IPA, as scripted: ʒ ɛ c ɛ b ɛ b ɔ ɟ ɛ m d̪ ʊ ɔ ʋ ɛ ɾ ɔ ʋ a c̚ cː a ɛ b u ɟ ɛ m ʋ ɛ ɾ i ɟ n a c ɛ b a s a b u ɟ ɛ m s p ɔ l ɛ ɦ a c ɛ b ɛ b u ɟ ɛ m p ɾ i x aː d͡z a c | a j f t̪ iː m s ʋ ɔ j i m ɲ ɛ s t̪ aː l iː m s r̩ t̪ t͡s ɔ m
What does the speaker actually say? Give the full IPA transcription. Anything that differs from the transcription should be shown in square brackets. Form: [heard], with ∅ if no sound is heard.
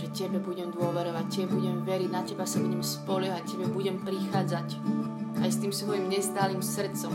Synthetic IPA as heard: ʒ ɛ c ɛ b ɛ b [u] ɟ ɛ m d̪ ʊ ɔ ʋ ɛ ɾ ɔ ʋ a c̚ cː [ɛ] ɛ b u ɟ ɛ m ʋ ɛ ɾ i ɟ n a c ɛ b a s a b u ɟ ɛ m s p ɔ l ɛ ɦ a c ɛ b ɛ b u ɟ ɛ m p ɾ i x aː d͡z a c | a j [s] t̪ iː m s ʋ ɔ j i m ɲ ɛ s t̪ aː l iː m s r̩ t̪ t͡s ɔ m